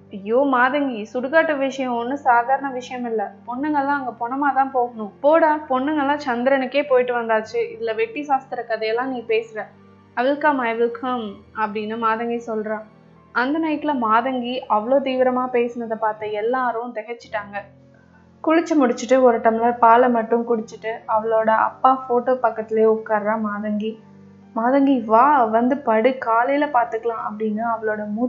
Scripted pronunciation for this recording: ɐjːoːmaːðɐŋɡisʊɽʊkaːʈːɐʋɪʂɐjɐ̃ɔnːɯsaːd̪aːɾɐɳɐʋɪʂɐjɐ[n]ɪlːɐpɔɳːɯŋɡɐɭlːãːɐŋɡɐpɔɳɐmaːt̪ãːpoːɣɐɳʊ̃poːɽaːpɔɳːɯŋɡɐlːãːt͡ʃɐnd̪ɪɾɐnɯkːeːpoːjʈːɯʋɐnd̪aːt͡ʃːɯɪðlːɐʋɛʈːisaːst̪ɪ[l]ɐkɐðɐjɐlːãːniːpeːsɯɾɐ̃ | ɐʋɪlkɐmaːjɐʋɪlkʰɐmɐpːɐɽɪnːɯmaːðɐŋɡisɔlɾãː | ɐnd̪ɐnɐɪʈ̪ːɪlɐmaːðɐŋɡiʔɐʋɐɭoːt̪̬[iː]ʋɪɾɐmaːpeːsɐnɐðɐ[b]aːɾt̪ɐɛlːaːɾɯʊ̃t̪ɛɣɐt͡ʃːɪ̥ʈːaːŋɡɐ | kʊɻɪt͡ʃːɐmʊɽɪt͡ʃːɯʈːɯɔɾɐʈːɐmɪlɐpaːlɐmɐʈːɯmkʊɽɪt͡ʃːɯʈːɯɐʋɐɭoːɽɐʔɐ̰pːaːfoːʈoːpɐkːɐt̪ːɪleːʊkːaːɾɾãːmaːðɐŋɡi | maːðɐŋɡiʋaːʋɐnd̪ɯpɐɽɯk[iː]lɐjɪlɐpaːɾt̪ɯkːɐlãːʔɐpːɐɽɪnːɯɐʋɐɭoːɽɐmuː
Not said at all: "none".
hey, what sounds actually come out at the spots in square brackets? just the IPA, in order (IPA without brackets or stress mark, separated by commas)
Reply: m, ɾ, iː, p, aː